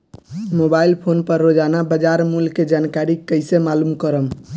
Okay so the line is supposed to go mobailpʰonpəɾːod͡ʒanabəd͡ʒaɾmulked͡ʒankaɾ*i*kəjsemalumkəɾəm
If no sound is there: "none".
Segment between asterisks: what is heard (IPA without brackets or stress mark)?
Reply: i